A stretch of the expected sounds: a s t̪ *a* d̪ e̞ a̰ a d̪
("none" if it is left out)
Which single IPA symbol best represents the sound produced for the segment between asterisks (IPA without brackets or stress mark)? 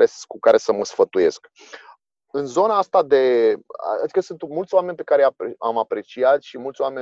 a